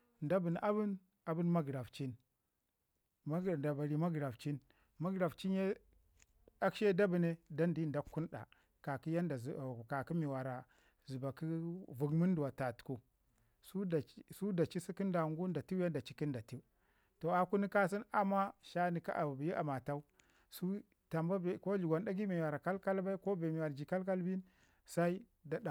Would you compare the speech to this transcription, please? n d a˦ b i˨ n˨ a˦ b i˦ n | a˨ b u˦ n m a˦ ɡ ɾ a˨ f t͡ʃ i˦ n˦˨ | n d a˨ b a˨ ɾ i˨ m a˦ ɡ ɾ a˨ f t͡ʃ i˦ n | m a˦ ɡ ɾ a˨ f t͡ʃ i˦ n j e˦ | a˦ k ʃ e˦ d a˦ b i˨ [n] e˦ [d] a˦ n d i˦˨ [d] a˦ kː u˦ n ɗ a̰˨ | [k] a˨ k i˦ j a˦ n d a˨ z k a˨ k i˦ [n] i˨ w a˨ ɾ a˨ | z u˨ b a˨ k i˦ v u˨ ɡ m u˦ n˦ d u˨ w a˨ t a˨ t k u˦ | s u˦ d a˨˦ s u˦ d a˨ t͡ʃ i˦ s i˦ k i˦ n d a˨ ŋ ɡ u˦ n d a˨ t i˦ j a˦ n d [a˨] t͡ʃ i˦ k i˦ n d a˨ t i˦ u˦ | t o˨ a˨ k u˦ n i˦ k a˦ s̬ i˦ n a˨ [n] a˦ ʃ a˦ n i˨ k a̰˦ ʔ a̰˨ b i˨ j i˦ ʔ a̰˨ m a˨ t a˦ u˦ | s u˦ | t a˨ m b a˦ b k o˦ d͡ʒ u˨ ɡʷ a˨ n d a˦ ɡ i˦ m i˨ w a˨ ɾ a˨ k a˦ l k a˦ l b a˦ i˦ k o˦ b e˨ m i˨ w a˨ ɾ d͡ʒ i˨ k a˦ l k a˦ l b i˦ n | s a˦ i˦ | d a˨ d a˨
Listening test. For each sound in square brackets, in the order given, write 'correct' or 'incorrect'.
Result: correct, correct, correct, correct, incorrect, correct, incorrect

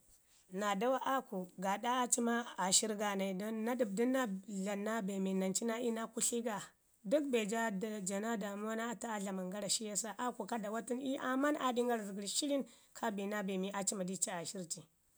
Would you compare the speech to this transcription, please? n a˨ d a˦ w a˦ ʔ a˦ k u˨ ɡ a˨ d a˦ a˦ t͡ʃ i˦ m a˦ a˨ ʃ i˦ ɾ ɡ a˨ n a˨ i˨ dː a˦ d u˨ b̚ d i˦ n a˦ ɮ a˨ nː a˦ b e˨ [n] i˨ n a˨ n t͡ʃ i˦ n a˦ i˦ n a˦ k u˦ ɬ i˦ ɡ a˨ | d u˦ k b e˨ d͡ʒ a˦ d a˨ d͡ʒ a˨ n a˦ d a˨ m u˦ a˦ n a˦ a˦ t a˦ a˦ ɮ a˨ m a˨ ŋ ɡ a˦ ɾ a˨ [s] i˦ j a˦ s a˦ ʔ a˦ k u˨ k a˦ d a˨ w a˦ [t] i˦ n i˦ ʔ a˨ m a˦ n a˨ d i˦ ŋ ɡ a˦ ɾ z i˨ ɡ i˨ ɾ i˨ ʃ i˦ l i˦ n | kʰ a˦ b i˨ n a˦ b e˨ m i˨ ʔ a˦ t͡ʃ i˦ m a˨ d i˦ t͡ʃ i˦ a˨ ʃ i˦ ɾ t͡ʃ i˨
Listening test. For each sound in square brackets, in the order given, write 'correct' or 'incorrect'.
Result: incorrect, incorrect, correct

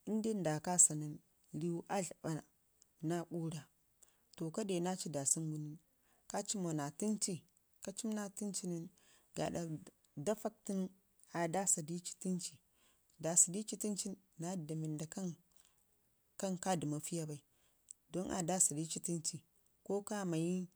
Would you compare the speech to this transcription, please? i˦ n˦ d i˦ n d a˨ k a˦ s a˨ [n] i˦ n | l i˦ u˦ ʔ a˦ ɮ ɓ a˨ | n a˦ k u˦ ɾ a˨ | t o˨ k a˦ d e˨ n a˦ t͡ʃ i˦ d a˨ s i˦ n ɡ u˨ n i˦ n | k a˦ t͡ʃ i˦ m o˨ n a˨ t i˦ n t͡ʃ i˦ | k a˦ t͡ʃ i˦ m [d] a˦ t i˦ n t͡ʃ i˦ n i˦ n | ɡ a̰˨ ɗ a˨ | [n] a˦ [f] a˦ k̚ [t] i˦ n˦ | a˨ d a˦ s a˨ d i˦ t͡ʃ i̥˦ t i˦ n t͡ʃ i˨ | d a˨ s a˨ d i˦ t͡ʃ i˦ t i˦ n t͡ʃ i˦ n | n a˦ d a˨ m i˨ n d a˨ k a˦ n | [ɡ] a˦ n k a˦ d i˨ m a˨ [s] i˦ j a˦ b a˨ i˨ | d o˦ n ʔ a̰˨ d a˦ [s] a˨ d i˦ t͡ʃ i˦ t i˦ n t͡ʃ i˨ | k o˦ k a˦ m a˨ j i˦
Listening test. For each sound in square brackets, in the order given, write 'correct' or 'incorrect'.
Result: correct, incorrect, incorrect, correct, correct, incorrect, incorrect, correct

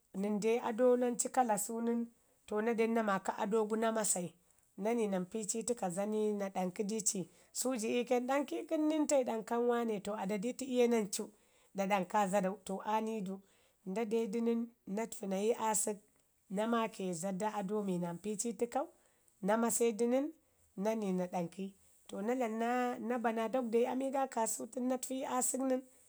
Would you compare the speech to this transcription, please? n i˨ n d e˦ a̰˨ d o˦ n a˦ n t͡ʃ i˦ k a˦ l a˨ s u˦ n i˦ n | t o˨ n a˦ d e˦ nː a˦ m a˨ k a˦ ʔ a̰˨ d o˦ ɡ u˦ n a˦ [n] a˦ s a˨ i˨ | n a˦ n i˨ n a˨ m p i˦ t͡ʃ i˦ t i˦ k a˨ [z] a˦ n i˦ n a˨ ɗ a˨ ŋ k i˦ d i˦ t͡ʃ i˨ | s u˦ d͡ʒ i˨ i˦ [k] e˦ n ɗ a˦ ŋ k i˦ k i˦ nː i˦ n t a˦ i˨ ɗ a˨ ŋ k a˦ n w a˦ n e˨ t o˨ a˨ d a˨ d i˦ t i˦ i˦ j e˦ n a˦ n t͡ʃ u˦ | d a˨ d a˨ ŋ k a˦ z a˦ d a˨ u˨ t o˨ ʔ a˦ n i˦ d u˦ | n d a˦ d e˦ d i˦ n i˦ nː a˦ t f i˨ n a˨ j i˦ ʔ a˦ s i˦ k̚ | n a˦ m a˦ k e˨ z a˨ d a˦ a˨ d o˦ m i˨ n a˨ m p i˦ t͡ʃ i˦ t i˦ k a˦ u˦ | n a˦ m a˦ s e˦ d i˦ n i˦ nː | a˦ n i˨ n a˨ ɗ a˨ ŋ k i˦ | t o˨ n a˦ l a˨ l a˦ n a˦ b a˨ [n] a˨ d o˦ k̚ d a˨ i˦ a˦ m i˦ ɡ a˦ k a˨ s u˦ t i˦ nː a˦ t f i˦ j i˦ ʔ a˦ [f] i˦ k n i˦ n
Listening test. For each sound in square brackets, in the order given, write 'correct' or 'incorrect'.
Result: incorrect, correct, correct, correct, incorrect

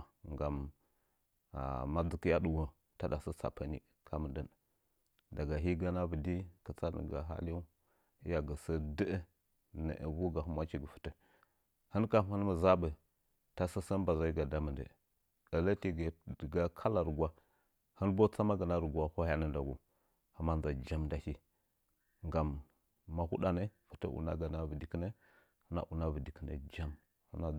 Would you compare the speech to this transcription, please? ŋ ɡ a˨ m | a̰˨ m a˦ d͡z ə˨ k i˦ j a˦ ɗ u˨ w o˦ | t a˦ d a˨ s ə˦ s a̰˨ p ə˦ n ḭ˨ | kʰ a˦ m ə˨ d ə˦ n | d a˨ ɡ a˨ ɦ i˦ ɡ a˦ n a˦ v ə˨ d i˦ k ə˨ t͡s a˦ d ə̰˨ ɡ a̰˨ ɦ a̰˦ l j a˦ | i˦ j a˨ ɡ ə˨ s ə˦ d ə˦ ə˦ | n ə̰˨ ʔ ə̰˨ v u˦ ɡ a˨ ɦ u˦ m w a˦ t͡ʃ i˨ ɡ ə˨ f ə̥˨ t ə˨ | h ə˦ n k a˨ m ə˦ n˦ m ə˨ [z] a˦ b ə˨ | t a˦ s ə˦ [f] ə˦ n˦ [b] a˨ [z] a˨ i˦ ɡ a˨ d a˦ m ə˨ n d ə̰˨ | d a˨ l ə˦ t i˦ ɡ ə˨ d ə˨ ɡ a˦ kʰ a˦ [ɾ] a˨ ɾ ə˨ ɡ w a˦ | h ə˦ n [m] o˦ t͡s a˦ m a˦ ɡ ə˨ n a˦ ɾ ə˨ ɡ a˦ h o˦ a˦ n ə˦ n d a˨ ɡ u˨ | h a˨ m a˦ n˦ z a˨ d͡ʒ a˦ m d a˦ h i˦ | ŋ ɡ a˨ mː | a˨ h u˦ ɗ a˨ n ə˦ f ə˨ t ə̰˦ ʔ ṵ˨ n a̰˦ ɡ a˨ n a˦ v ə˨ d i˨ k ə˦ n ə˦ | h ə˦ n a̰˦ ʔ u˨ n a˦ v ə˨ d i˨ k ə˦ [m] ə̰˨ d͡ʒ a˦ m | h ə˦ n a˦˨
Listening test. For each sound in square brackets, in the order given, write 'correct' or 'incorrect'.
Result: correct, incorrect, correct, correct, incorrect, incorrect, incorrect

